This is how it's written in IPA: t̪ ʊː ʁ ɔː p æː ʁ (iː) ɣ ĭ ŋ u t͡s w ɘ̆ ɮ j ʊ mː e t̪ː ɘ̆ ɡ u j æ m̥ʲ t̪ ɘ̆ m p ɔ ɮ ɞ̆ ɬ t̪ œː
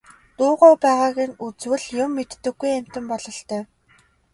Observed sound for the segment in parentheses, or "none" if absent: aː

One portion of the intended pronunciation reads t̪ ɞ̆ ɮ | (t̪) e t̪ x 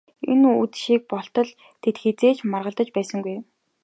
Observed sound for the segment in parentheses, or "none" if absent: t̪ʰ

